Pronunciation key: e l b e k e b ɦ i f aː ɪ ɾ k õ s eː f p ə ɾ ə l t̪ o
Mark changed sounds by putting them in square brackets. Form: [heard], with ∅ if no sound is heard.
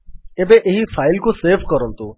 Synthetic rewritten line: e [∅] b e [ʔ] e [∅] ɦ i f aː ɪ [l] k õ s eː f [k] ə ɾ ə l t̪ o